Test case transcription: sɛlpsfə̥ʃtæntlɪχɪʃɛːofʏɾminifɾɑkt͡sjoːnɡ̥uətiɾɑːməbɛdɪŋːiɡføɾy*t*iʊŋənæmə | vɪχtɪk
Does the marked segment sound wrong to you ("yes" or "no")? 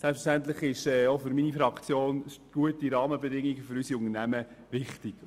yes